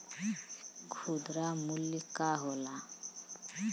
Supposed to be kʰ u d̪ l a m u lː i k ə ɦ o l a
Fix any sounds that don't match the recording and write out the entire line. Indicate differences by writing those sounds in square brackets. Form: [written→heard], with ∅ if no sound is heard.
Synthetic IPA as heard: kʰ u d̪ [l→ɾ] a m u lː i k [ə→a] ɦ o l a